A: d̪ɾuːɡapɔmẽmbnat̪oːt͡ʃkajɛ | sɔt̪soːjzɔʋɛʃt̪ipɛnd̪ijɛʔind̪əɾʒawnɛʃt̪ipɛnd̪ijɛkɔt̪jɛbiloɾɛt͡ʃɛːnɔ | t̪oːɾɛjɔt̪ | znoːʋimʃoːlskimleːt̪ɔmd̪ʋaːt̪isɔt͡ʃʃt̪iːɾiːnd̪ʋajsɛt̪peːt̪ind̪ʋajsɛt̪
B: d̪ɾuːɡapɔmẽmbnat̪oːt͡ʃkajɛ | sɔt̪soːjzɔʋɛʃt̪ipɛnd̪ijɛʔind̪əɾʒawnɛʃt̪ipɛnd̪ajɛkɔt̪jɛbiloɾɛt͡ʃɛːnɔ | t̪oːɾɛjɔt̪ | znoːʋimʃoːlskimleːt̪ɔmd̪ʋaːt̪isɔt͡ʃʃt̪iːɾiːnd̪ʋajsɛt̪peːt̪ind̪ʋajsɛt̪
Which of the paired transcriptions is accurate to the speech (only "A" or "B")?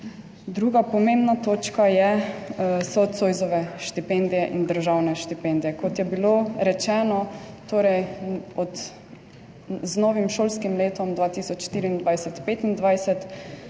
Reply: A